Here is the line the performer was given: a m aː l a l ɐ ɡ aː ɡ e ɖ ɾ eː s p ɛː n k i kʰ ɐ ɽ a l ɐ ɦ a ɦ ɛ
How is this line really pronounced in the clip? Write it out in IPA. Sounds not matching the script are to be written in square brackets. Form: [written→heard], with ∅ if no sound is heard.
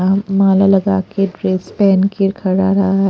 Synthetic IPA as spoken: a m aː l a l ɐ ɡ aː [ɡ→k] e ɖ ɾ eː s p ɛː n k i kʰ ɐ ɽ a [l→ɾ] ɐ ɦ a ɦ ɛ

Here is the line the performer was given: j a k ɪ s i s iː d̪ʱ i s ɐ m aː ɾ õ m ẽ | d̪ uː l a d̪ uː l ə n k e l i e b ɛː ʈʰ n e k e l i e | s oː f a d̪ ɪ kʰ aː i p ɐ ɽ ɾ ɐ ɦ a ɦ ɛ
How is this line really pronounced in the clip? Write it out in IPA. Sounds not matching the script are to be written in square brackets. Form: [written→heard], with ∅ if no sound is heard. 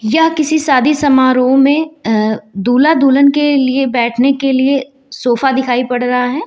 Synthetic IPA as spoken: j a k ɪ s i s [iː→aː] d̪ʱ i s ɐ m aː ɾ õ m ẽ | d̪ uː l a d̪ uː l ə n k e l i e b ɛː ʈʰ n e k e l i e | s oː f a d̪ ɪ kʰ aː i p ɐ ɽ ɾ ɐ ɦ a ɦ [ɛ→ɛː]

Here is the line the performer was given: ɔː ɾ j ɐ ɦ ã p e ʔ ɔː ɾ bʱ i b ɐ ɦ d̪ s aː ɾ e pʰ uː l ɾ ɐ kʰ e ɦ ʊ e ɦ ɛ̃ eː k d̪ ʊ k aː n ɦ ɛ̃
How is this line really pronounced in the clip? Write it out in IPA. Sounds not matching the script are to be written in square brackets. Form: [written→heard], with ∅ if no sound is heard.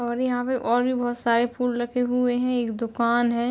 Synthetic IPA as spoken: ɔː ɾ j ɐ ɦ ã p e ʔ ɔː ɾ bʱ i b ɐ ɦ [d̪→t̪] s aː ɾ e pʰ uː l ɾ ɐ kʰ e ɦ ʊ e ɦ ɛ̃ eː k d̪ ʊ k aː n ɦ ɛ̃

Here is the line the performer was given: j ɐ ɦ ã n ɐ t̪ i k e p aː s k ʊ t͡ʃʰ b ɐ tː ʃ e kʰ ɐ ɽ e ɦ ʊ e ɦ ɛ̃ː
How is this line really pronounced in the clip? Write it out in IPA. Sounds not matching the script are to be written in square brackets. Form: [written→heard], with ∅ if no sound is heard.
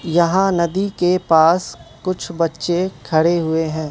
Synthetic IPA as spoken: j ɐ ɦ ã n ɐ [t̪→d̪] i k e p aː s k ʊ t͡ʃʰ b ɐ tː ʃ e kʰ ɐ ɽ e ɦ ʊ e ɦ ɛ̃ː

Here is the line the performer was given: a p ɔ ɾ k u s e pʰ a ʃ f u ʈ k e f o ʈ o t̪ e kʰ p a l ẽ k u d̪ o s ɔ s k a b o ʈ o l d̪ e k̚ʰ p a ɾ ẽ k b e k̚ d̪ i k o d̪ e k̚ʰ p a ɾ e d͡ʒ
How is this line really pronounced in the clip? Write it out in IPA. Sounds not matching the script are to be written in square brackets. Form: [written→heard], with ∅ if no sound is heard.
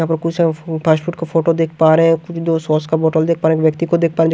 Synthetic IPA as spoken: a p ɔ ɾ k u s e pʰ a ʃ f u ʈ k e f o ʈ o [t̪→d̪] e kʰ p a [l→ɾ] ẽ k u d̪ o s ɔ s k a b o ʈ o l d̪ e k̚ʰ p a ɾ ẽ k b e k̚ [d̪→t̪] i k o d̪ e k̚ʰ p a ɾ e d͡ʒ

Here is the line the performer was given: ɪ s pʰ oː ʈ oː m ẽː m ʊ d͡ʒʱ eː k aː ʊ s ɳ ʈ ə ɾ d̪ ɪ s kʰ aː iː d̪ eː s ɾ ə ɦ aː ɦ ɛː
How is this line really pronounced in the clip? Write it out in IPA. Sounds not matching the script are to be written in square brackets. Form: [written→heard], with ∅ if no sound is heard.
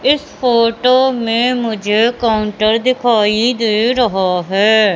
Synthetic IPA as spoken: ɪ s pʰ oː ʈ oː m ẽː m ʊ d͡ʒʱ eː k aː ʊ [s→∅] ɳ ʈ ə ɾ d̪ ɪ [s→∅] kʰ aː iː d̪ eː [s→∅] ɾ ə ɦ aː ɦ ɛː

